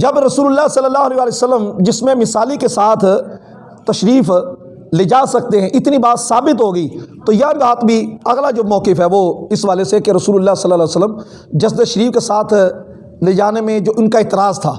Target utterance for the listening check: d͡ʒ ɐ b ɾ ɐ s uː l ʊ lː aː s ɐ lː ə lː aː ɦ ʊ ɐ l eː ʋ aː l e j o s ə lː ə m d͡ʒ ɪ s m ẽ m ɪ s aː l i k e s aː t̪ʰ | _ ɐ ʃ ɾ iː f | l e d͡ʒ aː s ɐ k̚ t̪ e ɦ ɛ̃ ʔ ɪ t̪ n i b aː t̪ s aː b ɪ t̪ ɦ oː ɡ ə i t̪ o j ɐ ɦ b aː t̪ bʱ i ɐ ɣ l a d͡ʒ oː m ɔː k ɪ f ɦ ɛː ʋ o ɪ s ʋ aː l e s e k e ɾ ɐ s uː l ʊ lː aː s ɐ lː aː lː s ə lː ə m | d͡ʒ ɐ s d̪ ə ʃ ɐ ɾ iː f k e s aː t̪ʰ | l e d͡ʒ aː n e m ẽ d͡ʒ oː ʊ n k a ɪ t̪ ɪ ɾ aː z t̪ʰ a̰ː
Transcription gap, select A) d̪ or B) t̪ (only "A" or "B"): B